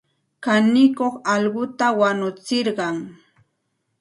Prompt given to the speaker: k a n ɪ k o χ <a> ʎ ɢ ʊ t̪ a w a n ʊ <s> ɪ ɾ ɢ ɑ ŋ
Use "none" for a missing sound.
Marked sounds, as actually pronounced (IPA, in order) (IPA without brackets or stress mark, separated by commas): ɑ, t͡s